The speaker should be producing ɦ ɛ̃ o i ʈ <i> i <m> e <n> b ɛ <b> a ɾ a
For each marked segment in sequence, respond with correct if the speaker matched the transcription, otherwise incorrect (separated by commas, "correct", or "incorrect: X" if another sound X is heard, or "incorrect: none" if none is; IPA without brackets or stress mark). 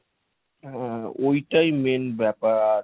incorrect: a, correct, correct, incorrect: p